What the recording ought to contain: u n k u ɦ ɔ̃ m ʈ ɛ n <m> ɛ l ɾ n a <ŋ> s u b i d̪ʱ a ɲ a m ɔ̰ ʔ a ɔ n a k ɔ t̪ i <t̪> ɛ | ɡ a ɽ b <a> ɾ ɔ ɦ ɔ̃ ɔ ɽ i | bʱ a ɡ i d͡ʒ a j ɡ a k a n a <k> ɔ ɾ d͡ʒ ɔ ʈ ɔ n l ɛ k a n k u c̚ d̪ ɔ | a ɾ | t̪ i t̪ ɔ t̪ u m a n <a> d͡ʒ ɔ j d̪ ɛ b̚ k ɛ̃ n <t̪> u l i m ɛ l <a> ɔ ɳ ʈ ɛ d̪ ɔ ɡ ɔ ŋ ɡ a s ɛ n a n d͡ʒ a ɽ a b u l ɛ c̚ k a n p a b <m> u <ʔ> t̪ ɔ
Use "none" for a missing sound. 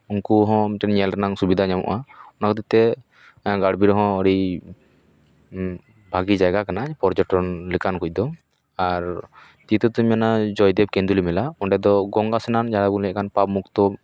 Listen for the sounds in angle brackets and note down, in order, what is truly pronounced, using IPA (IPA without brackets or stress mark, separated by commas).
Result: ɲ, ŋ, t̪, i, p, a, d̪, a, m, k